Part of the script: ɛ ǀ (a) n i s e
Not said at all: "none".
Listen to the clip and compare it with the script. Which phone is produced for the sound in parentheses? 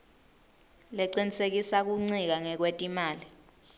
i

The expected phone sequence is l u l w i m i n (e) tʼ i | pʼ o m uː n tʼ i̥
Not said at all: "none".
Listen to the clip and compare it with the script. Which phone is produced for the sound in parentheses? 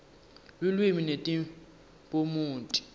e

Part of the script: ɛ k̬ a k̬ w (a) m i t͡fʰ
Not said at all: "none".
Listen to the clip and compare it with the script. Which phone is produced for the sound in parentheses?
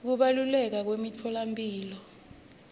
e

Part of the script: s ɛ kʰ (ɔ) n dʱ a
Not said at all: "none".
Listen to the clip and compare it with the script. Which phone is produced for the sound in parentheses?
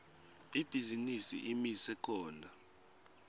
ɔː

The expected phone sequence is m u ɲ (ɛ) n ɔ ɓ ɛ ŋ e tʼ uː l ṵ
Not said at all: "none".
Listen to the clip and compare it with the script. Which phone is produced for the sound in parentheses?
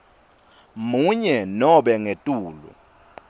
ɛ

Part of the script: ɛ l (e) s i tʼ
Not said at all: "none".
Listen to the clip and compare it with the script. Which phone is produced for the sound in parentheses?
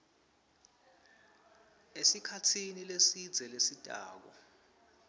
e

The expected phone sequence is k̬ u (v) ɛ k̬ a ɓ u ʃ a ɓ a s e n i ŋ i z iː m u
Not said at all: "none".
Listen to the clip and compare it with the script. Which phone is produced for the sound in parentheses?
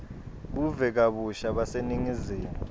v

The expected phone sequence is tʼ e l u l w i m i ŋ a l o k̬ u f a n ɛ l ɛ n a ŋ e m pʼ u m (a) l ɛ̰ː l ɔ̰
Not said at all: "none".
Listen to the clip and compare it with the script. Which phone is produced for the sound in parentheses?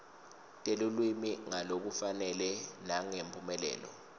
ɛ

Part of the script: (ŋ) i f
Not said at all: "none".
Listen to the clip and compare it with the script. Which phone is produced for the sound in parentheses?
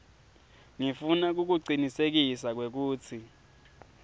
ŋ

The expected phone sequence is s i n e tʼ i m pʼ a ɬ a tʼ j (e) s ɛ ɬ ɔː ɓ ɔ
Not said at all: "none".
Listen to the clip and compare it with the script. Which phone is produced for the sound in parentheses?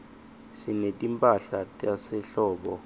a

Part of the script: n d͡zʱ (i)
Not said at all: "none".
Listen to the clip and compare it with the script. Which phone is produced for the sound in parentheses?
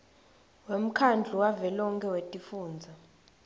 a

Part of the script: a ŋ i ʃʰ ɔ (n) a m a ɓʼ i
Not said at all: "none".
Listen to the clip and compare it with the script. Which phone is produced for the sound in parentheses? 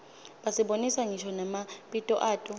n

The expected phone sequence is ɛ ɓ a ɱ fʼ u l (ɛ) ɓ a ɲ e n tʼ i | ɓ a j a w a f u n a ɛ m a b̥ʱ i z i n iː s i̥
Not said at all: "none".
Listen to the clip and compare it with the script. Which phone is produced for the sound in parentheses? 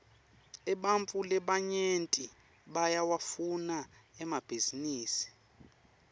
ɛ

